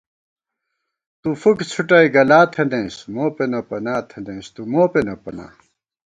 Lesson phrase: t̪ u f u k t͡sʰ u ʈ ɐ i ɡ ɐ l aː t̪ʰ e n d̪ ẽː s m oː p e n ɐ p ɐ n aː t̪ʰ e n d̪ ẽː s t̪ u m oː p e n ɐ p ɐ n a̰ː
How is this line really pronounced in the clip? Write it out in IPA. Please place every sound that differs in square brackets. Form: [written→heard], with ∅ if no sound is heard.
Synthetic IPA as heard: t̪ u f u k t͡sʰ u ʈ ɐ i ɡ ɐ l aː t̪ʰ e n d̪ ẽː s m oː p e n ɐ p ɐ n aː t̪ʰ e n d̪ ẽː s t̪ u m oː p e n ɐ p ɐ n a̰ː